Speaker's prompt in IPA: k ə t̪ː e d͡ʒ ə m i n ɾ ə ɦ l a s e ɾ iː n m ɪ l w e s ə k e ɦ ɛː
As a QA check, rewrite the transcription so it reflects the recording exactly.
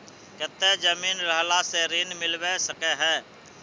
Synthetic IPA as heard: k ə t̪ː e d͡ʒ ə m iː n ɾ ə ɦ l a s e ɾ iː n m ɪ l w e s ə k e ɦ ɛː